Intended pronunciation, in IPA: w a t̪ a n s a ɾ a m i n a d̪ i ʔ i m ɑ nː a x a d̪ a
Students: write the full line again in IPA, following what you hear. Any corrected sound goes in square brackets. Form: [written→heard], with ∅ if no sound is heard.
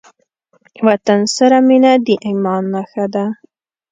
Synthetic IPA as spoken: w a t̪ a n s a ɾ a m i n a d̪ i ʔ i m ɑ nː a x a d̪ a